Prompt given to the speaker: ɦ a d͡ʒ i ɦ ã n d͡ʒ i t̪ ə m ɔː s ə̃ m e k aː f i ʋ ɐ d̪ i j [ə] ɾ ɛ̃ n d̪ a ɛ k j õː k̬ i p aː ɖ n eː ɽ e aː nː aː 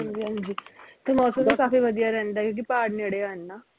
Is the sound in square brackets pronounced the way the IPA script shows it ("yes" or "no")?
no